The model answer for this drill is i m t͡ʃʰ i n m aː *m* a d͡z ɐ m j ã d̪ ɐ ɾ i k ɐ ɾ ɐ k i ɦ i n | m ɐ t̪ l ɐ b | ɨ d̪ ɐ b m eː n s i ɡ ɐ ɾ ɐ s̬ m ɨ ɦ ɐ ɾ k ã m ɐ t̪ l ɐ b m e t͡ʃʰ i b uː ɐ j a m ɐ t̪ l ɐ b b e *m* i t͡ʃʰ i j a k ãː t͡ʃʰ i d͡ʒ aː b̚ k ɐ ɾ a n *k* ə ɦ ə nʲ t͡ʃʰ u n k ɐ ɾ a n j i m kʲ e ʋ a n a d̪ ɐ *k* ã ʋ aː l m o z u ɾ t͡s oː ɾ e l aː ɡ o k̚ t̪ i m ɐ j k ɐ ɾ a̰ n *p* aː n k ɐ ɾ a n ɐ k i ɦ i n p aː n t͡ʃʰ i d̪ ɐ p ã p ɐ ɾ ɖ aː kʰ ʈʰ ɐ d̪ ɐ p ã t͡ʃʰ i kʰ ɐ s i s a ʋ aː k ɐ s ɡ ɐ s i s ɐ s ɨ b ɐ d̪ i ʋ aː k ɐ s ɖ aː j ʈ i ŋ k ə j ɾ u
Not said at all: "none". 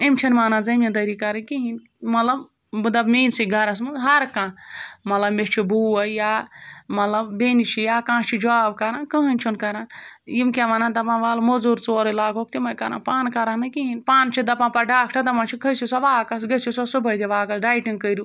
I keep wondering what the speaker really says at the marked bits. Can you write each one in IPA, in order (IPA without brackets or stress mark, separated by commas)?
n, n, k, p, p